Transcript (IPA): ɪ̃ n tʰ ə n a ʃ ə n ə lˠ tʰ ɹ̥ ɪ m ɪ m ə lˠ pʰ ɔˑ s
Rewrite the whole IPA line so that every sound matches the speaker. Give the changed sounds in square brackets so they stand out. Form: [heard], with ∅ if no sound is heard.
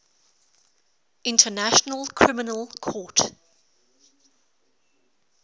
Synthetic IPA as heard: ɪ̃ n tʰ ə n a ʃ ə n ə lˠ [kʰ] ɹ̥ ɪ m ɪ [n] ə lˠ [kʰ] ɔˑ [t]